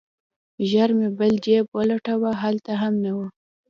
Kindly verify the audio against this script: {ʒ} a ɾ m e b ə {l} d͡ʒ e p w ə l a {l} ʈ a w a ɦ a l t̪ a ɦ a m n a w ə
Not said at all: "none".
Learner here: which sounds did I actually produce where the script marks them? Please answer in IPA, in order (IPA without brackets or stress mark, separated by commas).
ʒ, l, none